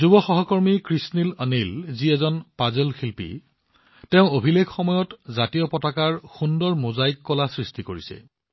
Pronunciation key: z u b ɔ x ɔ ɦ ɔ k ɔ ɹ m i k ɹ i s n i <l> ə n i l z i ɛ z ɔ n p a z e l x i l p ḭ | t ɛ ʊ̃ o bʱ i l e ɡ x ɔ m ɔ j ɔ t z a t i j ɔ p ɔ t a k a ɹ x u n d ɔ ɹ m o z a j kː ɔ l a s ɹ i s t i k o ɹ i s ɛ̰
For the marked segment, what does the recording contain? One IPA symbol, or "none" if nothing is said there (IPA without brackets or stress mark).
l